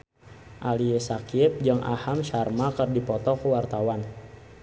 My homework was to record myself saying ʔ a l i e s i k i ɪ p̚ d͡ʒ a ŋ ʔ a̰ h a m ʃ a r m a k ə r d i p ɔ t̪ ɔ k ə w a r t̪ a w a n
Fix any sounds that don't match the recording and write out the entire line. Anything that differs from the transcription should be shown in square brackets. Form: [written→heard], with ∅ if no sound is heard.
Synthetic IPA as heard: ʔ a l i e s [i→a] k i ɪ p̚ d͡ʒ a ŋ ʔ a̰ h a m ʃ a r m a k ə r d i p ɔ t̪ ɔ k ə w a r t̪ a w a n